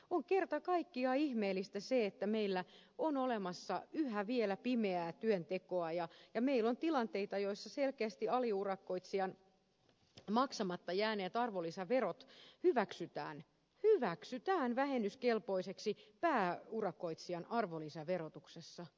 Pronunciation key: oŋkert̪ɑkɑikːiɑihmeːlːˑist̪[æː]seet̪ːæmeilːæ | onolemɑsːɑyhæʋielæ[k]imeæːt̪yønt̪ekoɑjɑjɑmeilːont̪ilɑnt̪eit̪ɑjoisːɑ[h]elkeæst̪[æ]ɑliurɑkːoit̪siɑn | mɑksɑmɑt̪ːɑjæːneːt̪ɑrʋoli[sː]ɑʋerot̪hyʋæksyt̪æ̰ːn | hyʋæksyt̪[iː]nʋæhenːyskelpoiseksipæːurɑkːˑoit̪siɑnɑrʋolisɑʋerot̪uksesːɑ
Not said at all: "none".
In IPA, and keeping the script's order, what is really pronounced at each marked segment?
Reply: æ, p, s, i, s, æː

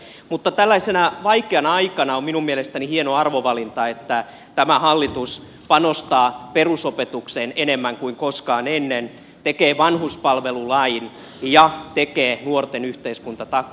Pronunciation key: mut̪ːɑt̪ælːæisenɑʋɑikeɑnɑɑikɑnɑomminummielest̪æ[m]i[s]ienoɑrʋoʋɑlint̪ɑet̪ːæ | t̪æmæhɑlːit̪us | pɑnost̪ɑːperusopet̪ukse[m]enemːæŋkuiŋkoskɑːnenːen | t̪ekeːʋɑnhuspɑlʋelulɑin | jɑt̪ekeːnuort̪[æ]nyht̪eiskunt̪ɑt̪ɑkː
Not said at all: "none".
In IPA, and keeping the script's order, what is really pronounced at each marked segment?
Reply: n, h, n, e

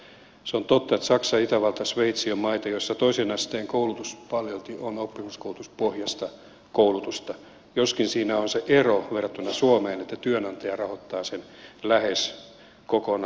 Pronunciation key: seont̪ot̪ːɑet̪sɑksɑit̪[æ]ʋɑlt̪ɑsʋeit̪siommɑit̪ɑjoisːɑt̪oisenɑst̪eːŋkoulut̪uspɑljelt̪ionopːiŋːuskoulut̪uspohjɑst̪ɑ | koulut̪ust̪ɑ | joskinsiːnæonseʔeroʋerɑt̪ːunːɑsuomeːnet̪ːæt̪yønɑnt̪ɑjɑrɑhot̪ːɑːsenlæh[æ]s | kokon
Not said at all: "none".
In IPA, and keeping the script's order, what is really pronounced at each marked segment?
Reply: æ, e

